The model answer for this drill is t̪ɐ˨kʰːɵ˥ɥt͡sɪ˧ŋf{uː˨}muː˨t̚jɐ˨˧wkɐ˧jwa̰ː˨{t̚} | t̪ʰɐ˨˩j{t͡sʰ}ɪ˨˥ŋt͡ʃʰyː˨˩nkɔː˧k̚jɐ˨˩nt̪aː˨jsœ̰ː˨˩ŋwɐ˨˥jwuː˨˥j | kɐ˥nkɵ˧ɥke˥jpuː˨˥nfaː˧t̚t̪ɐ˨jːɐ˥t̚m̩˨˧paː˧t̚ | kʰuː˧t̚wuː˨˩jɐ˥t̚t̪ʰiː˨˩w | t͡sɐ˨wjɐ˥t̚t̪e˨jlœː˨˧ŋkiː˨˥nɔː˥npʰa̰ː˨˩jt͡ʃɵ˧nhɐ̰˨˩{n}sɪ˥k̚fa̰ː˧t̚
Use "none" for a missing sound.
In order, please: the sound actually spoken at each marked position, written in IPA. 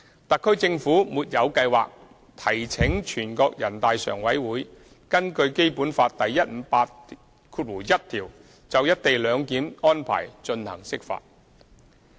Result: uː˨˥, k̚, t͡sʰ, ŋ

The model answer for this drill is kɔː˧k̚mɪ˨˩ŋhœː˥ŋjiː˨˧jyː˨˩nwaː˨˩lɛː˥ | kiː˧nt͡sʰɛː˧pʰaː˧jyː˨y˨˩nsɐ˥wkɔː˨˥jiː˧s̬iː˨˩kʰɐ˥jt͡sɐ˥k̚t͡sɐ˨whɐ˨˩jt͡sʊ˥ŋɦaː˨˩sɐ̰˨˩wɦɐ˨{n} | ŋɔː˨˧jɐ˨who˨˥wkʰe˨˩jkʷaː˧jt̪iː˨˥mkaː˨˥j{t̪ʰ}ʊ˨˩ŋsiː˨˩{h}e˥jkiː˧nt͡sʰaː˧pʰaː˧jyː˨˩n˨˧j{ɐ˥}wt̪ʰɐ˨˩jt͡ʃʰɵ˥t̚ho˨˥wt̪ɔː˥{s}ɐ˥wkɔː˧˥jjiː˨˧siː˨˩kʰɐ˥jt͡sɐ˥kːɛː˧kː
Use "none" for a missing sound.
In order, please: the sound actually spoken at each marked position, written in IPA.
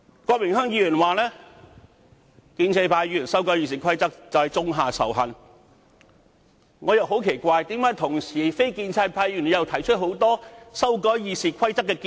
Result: n, t̪ʰ, f, ɐ˨, s

